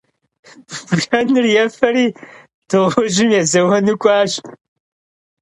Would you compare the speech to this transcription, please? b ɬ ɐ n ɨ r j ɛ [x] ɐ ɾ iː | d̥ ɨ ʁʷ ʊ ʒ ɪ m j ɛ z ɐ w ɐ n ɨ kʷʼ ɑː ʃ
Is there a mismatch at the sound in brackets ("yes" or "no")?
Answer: yes